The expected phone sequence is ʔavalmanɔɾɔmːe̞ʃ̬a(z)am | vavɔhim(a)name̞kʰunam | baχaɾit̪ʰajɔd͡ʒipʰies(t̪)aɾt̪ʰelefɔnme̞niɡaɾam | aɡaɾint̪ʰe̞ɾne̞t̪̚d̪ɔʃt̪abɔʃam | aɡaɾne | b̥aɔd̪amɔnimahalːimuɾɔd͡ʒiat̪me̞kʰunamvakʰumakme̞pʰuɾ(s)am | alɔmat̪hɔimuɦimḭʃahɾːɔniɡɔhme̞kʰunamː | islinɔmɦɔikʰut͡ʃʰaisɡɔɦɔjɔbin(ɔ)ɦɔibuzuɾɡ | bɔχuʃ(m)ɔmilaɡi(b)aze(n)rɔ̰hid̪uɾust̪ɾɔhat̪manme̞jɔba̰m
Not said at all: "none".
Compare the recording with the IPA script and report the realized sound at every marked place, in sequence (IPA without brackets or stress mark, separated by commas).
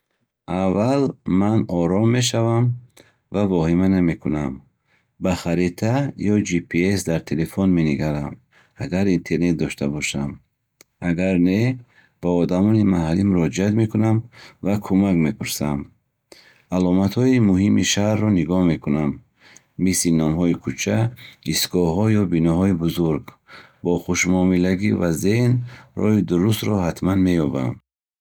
v, a, d̪, s, ɔ, m, v, n